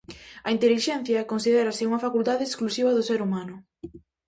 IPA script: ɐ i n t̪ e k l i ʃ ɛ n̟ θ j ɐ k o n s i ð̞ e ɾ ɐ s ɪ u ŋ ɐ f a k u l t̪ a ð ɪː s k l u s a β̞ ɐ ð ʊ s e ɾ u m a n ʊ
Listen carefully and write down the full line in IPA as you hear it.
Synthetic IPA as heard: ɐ i n t̪ e l i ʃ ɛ n̟ θ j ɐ k o n s i ð̞ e ɾ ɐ s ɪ u ŋ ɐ f a k u l t̪ a ð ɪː s k l u s i β̞ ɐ ð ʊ s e ɾ u m a n ʊ